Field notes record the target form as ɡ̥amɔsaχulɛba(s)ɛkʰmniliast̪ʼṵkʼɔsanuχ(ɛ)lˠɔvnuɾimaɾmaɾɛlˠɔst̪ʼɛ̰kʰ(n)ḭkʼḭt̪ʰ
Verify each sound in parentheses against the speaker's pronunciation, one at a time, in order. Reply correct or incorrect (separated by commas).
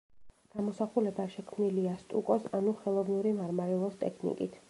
incorrect, correct, correct